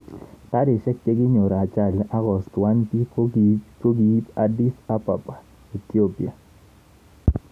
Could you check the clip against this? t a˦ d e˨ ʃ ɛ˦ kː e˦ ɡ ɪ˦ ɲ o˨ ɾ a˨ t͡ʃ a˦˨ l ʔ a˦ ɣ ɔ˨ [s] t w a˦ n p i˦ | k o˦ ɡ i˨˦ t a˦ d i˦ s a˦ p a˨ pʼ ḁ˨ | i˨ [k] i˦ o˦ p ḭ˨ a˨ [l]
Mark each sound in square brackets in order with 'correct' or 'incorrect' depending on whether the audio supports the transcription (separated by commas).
correct, incorrect, incorrect